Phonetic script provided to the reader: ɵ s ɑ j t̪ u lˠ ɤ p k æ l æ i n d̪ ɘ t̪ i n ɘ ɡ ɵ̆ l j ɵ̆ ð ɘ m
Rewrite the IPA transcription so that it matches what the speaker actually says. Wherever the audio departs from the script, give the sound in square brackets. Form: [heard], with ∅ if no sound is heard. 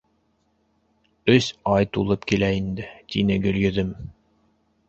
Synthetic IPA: ɵ s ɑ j t̪ u lˠ ɤ p k [i] l æ i n d̪ ɘ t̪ i n ɘ ɡ ɵ̆ l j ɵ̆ ð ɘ m